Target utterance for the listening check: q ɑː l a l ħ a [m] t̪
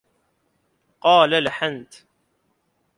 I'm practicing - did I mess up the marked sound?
yes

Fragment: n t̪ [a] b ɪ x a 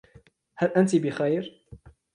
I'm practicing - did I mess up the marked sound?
yes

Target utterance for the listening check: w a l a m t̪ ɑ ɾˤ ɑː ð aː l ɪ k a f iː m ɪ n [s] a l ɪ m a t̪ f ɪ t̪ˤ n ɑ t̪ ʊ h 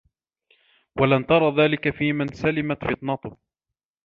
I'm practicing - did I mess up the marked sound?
no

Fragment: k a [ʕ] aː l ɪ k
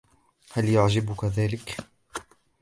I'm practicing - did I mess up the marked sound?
yes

